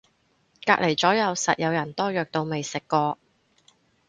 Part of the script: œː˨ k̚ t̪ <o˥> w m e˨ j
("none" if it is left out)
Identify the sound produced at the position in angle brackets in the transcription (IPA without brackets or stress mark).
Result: o˧